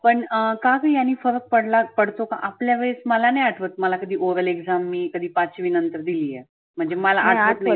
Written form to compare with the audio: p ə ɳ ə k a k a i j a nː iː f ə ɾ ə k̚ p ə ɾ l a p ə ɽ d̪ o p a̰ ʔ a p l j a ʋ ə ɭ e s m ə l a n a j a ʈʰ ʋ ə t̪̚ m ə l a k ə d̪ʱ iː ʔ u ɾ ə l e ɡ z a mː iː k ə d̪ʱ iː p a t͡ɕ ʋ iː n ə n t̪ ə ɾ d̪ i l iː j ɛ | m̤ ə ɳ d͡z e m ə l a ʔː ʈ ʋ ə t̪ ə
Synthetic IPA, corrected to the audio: p ə ɳ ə k a k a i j a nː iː f ə ɾ ə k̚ p ə ɽ l a p ə ɽ t̪ o k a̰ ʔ a p l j a ʋ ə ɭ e s m ə l a n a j a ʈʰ ʋ ə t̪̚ m ə l a k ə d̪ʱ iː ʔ o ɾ ə l e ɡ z a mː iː k ə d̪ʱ iː p a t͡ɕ ʋ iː n ə n t̪ ə ɾ d̪ i l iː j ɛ | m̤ ə ɳ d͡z e m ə l a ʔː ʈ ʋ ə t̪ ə